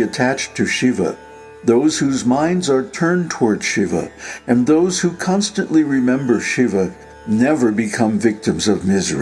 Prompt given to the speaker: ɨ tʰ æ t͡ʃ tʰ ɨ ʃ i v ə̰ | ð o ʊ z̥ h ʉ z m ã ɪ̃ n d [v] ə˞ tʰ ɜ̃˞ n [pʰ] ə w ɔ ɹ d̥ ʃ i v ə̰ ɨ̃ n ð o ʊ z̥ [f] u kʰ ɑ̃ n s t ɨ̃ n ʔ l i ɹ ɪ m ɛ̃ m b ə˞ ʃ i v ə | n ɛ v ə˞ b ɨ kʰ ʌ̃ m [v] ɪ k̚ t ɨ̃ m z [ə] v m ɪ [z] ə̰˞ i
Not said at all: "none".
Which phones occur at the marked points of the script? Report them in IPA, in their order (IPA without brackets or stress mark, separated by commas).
z, tʰ, h, v, ʌ, z